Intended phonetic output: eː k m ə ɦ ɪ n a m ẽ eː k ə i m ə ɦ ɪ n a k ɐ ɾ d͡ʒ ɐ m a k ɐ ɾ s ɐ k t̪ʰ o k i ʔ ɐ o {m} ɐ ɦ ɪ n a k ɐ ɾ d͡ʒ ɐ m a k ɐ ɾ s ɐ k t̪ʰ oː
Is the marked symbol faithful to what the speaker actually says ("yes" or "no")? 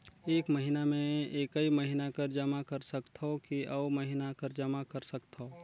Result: yes